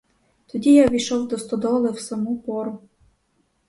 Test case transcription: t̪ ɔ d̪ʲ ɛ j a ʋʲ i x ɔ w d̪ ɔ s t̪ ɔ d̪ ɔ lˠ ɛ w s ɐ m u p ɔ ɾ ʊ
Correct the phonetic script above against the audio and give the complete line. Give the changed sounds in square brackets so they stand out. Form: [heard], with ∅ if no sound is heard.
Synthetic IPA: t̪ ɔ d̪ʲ [i] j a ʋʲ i [ʃ] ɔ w d̪ ɔ s t̪ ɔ d̪ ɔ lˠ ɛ w s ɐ m u p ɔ ɾ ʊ